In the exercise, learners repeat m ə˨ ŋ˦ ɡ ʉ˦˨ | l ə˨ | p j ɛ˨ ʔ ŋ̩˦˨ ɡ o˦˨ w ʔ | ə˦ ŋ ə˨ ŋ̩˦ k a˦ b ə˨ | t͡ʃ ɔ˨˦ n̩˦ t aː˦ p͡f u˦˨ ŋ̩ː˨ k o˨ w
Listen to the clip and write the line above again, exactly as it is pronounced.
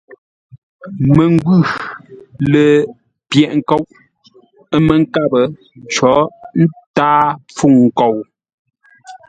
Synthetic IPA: m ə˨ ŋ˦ ɡ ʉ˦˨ | l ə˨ | p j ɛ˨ ʔ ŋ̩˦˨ k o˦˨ w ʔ | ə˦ m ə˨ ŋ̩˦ k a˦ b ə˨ | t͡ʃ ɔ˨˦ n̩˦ t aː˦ p͡f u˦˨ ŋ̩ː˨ k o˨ w